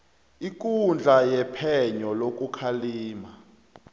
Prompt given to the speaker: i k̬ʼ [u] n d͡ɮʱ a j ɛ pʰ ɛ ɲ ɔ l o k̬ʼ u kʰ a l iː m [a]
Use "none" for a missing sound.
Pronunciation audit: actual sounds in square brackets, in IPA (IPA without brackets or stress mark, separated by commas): u, a